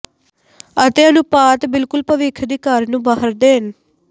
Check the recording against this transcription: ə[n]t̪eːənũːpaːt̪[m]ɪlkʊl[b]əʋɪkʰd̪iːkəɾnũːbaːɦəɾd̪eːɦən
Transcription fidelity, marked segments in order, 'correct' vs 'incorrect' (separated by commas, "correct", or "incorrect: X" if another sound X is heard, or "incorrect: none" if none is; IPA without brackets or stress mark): incorrect: none, incorrect: b, incorrect: p